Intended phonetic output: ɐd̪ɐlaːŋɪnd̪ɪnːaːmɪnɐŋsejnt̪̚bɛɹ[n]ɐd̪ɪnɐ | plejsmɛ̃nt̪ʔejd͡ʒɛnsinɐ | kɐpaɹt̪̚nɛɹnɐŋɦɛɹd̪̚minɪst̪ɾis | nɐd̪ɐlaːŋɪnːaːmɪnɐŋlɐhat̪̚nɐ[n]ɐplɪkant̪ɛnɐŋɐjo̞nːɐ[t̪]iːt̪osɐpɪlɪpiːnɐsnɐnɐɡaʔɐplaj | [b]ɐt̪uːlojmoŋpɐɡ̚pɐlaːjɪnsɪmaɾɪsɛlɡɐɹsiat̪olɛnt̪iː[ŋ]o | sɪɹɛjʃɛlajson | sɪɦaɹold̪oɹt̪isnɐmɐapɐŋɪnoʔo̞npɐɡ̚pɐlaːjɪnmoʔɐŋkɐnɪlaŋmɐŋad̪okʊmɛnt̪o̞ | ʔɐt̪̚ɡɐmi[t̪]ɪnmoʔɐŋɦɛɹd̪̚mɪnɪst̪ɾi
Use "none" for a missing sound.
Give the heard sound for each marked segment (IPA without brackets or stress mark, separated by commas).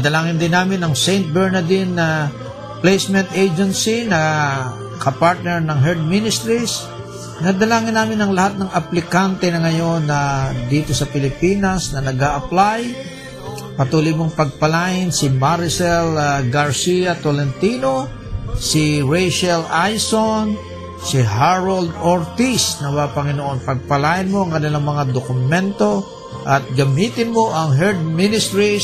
n, ŋ, d̪, p, n, t̪